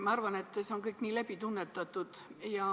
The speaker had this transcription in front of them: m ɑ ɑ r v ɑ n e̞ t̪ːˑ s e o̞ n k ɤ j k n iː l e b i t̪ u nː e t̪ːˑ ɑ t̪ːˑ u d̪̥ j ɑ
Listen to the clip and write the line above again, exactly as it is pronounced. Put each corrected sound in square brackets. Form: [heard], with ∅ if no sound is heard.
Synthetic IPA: m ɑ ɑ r v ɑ n e̞ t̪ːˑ s e o̞ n k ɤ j k n iː l [æ] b i t̪ u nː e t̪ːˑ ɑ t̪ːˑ u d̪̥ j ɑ